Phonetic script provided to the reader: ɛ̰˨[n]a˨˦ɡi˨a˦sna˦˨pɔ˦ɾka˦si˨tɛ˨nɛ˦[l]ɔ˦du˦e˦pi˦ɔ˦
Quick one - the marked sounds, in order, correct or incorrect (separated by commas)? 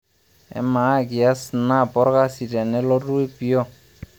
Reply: incorrect, correct